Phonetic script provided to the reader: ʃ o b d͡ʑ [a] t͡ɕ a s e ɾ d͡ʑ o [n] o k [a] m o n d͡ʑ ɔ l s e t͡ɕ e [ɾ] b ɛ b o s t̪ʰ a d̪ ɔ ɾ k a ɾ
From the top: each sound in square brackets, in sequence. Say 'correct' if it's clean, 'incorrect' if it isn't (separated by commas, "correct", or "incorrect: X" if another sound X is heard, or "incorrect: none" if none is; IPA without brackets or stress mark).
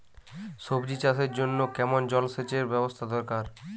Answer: incorrect: i, incorrect: nː, incorrect: ɛ, correct